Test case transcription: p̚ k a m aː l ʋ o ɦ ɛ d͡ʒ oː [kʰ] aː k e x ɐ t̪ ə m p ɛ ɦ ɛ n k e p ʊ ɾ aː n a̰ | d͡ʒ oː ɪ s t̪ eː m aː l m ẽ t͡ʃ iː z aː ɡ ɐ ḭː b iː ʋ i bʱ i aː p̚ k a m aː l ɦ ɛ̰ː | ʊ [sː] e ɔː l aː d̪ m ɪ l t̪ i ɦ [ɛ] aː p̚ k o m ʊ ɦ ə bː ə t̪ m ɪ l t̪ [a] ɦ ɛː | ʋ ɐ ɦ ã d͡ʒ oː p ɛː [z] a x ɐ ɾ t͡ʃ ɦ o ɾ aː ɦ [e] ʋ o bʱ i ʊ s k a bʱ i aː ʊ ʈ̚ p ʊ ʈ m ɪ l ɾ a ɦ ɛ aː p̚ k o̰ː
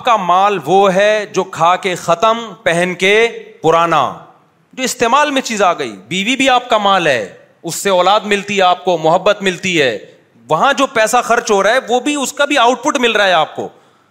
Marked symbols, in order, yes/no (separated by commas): yes, yes, yes, no, no, no